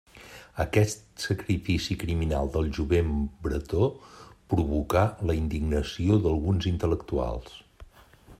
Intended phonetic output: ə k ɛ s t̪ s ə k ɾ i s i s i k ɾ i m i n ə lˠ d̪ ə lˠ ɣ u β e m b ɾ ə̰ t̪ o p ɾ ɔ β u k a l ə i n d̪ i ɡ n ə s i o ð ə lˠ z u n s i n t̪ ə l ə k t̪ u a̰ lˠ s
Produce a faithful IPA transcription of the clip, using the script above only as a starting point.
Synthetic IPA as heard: ə k ɛ s t̪ s ə k ɾ i f i s i k ɾ i m i n a lˠ d̪ ə lˠ ʒ u β e m b ɾ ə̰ t̪ o p ɾ u β u k a l ə i n d̪ i ɡ n ə s i o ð ə lˠ ɣ u n z i n t̪ ə l ə k t̪ u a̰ lˠ s